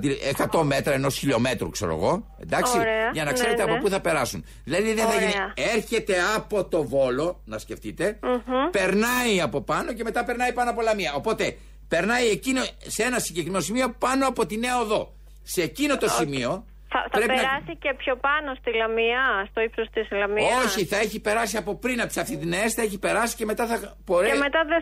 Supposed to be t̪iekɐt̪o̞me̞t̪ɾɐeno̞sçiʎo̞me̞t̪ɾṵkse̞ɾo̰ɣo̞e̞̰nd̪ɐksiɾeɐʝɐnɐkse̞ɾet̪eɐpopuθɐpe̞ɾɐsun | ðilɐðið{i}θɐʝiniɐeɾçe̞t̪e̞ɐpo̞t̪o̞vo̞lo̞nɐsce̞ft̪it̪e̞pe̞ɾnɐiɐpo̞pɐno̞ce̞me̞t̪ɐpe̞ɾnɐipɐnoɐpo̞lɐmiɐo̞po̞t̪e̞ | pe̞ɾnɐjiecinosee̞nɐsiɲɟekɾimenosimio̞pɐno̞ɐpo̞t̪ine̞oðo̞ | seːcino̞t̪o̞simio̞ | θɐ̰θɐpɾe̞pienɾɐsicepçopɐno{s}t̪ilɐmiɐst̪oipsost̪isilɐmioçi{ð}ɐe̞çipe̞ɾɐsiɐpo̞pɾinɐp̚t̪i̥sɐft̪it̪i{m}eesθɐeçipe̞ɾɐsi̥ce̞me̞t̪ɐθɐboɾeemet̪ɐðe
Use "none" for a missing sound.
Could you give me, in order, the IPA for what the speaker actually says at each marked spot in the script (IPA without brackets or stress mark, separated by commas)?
e, s, θ, n